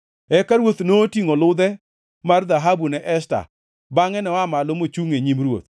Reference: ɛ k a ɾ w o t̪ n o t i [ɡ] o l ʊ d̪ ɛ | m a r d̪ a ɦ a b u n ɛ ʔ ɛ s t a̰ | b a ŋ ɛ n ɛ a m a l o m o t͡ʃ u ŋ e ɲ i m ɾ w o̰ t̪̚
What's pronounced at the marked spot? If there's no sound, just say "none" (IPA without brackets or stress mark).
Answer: ŋ